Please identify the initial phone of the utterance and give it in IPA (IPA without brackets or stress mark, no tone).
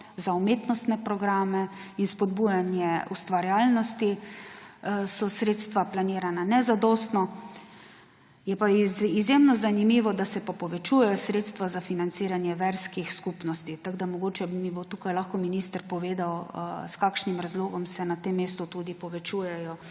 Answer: z